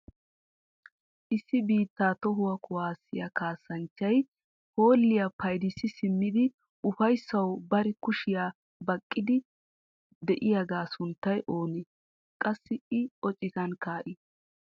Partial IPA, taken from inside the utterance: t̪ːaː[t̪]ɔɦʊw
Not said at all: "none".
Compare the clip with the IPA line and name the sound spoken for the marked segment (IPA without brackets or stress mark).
t̪